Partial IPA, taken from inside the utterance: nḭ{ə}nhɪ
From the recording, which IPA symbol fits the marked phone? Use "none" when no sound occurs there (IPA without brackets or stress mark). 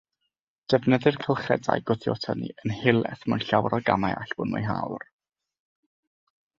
ə